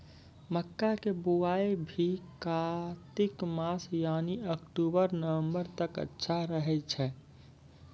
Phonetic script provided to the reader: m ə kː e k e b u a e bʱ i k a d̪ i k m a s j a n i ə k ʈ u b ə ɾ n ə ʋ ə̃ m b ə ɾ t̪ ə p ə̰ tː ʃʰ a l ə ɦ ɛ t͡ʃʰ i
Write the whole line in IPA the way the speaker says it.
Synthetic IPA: m ə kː a k e b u a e bʱ i k a t̪ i k m a s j a n i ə k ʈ u b ə ɾ n ə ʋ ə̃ m b ə ɾ t̪ ə k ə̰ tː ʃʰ a ɾ ə ɦ ɛ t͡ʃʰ ɛ